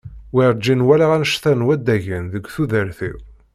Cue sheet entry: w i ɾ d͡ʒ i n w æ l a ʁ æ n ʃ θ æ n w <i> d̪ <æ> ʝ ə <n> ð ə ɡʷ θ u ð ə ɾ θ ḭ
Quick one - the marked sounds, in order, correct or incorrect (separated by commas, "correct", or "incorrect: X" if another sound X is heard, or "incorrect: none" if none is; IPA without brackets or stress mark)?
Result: incorrect: æ, correct, correct